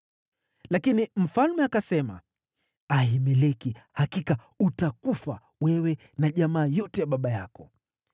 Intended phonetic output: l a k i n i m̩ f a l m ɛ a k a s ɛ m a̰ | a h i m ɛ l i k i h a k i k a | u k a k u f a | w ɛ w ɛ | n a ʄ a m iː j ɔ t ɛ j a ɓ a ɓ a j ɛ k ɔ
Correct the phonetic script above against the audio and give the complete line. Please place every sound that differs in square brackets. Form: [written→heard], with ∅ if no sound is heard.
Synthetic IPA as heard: l a k i n i m̩ f a l m ɛ a k a s ɛ m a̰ | a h i m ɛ l [i→ɛ] k i h a k i k a | u [k→t] a k u f a | w ɛ w ɛ | n a ʄ a m [iː→aː] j ɔ t ɛ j a ɓ a ɓ a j [ɛ→a] k ɔ